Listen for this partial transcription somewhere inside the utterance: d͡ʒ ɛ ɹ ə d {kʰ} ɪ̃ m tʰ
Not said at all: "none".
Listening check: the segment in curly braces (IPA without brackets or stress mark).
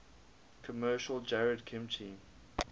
kʰ